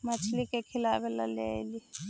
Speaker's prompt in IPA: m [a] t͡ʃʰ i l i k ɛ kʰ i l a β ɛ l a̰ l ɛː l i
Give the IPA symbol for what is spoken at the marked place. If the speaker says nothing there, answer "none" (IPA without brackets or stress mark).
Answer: a